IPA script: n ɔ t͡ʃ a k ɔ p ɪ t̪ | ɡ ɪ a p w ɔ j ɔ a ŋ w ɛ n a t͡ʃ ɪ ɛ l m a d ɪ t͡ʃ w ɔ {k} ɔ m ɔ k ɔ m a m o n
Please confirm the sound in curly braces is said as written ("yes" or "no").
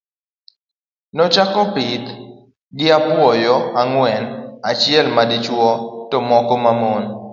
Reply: no